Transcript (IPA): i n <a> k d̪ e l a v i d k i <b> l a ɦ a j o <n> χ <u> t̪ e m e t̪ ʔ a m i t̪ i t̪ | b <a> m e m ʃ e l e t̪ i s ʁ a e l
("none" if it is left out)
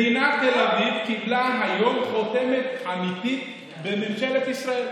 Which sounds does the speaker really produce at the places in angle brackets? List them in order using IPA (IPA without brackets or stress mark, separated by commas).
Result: a, b, m, o, e